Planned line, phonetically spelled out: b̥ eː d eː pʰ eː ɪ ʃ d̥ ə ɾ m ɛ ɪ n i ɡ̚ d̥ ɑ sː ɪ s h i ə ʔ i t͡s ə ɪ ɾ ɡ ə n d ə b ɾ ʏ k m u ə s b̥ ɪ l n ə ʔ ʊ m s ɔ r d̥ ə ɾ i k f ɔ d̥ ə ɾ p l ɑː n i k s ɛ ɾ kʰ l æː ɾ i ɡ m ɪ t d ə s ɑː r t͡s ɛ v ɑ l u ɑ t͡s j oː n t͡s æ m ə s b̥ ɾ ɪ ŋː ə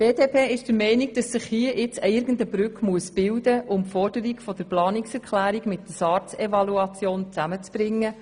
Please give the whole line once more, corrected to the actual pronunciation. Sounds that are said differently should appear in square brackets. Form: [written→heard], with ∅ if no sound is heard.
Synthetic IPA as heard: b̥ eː d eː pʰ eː ɪ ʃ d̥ ə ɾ m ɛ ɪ n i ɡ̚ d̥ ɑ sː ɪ [s→χ] h i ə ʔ [i→ɪ] t͡s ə ɪ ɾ ɡ ə n d ə b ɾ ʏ k m u ə s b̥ ɪ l [n→d] ə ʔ ʊ m [s→f] ɔ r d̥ ə ɾ i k f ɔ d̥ ə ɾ p l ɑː n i k s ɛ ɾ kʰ l æː ɾ i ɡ m ɪ t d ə s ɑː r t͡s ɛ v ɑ l u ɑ t͡s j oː n t͡s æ m ə [s→t͡s] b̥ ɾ ɪ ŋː ə